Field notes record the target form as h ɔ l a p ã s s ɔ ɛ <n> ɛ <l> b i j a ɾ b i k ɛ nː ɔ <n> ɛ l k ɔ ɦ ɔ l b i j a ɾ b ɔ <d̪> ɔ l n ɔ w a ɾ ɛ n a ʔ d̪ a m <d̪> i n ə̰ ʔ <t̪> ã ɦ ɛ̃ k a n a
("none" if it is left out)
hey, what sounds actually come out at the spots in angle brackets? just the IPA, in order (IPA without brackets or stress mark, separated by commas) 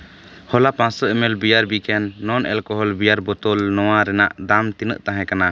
m, l, n, t̪, t̪, t̪